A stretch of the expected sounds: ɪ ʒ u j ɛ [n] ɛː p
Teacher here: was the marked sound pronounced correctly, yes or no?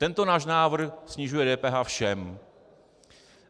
no